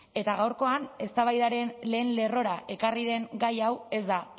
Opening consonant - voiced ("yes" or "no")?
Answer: no